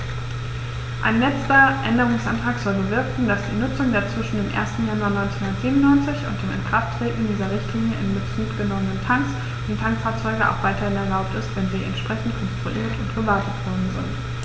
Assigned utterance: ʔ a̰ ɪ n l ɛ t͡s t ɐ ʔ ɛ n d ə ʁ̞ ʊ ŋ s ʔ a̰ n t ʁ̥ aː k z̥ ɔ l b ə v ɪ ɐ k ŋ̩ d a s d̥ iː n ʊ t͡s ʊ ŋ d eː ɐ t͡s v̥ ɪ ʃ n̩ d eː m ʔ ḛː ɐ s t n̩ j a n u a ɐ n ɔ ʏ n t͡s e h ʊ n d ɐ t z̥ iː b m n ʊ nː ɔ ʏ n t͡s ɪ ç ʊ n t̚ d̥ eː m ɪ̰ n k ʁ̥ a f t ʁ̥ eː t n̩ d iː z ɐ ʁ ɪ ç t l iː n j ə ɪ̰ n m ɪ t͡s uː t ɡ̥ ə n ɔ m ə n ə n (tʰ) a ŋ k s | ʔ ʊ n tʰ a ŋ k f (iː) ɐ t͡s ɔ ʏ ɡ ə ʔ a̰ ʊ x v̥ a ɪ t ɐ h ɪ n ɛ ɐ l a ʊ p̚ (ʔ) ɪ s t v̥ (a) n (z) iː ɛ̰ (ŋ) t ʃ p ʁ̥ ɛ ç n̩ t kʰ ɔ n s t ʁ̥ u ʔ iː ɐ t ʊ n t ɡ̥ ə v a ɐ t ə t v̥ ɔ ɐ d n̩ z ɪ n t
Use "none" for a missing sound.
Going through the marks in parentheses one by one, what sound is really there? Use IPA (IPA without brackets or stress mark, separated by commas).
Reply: tʰ, aː, t, ɛ, z, n